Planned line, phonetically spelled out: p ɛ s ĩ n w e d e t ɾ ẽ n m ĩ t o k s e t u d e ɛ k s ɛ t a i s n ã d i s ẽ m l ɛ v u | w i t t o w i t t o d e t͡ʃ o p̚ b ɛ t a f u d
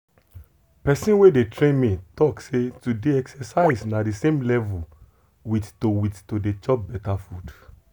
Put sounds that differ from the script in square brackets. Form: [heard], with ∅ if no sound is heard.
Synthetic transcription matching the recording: p ɛ s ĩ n w e d e t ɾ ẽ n m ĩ t [ɔ] k s e t u d e ɛ k s ɛ [s] a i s n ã d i s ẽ m l ɛ v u | w i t t o w i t t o d e t͡ʃ [ɔ] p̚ b ɛ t a f u d